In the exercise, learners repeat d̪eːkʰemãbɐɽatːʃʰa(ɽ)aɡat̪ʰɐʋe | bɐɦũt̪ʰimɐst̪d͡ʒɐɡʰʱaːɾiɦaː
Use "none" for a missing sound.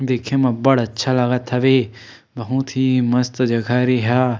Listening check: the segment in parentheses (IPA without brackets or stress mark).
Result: l